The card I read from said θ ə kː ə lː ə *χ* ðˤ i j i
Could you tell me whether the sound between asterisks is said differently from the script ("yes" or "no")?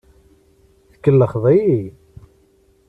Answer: no